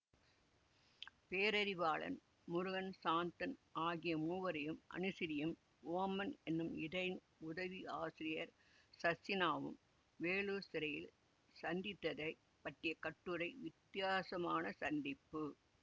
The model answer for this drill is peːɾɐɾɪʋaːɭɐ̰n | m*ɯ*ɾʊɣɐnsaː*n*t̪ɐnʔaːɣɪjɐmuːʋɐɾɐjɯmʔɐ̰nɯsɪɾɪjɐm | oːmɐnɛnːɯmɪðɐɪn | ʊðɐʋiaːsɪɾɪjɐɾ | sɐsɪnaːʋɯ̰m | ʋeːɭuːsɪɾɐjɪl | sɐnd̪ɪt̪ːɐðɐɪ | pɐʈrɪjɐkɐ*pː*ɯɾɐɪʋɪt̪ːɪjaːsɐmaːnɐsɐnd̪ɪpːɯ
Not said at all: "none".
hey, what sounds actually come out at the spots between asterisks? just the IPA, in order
ʊ, n, ʈː

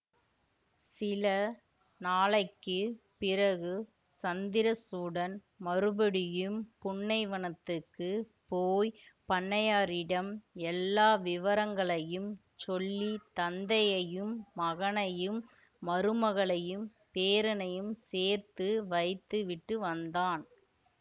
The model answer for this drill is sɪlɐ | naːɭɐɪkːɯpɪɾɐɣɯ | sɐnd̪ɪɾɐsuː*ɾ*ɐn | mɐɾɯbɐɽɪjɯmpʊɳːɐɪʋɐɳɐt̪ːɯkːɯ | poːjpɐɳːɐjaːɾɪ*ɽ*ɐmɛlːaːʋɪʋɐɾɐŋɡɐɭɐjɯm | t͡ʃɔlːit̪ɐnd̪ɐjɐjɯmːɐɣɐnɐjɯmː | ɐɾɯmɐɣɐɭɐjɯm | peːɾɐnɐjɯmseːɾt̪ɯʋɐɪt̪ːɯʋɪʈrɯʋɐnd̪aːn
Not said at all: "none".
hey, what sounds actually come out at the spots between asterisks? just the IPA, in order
ɽ, ɽ

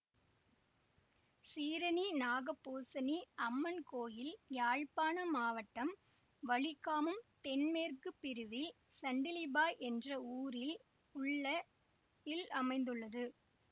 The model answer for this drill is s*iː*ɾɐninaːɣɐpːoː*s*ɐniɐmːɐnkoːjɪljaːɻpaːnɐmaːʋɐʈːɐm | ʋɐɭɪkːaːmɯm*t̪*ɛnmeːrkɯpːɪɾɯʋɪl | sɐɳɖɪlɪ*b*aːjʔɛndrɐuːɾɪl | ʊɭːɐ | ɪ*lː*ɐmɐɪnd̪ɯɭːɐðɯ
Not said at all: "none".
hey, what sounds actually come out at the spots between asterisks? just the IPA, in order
iː, s, t̪, b, l

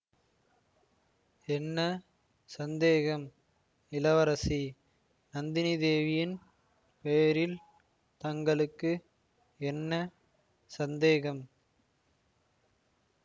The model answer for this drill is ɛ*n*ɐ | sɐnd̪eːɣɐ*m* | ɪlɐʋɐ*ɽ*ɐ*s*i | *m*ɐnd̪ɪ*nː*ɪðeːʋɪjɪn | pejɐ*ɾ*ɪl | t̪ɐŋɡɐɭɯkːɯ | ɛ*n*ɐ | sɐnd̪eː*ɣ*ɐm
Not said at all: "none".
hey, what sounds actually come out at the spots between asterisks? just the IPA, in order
nː, m, ɾ, s, n, n, ɾ, nː, ɣ

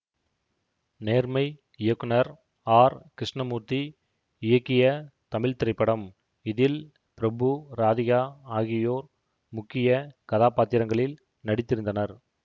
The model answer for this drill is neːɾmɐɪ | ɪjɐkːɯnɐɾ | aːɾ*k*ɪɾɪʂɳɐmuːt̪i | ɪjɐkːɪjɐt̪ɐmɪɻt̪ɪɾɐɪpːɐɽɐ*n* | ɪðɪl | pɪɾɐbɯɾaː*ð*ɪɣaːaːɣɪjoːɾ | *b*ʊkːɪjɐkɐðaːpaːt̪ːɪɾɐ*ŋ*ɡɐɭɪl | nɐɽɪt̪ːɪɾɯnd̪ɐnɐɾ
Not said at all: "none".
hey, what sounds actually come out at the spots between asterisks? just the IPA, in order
k, m, ð, m, ŋ

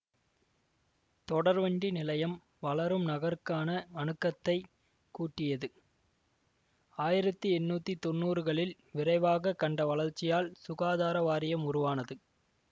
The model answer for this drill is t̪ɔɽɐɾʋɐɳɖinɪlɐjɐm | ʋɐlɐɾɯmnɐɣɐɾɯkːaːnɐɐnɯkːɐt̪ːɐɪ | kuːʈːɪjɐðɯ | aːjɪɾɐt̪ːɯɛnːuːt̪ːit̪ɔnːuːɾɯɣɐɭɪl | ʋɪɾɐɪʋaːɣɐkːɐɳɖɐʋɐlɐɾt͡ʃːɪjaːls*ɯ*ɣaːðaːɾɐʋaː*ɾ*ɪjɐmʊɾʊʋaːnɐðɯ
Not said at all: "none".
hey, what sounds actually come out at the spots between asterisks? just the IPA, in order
ʊ, ɾ

